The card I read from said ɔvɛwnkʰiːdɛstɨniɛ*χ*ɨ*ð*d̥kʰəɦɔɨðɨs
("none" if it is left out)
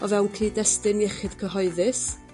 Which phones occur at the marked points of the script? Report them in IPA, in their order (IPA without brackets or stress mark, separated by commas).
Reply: χ, none